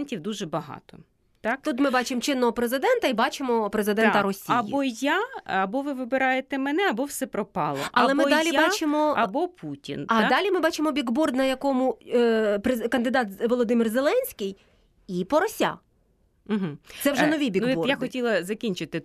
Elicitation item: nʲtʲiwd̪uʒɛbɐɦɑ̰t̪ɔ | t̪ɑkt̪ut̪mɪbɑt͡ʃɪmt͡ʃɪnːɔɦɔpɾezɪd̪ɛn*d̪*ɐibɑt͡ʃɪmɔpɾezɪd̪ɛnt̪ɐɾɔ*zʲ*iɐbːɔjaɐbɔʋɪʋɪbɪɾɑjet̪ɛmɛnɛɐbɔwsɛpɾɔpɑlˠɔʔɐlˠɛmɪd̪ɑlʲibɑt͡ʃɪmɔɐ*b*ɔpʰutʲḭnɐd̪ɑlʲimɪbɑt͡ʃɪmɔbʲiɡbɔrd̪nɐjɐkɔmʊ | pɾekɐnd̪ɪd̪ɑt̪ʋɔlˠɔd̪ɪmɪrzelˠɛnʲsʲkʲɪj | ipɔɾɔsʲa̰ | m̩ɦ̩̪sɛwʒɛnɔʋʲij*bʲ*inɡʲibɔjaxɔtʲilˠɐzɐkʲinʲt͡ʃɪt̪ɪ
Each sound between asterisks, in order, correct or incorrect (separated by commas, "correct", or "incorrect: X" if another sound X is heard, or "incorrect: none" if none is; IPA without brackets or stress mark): incorrect: t̪, incorrect: sʲ, correct, correct